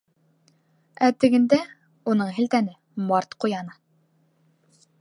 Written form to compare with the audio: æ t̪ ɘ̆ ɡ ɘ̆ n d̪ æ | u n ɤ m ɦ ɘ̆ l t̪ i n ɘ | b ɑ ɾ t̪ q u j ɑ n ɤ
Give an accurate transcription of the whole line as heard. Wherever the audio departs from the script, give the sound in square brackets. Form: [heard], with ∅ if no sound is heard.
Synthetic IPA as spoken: æ t̪ ɘ̆ ɡ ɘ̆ n d̪ æ | u n ɤ [ɴ] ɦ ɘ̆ l t̪ [æ] n ɘ | [m] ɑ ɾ t̪ q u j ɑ n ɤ